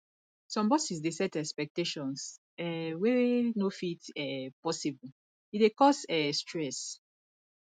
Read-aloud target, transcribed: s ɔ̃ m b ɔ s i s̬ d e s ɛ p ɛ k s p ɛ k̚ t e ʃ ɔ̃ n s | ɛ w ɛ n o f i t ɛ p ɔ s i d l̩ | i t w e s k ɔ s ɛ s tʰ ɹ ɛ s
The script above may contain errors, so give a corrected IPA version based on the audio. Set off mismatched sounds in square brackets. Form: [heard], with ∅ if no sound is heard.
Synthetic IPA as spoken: s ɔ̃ m b ɔ s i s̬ d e s ɛ [t] ɛ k s p ɛ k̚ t e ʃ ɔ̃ n s | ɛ w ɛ n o f i t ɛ p ɔ s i [b] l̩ | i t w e [∅] k ɔ s ɛ s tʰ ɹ ɛ s